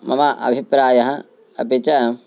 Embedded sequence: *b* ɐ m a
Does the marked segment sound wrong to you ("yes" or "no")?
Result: yes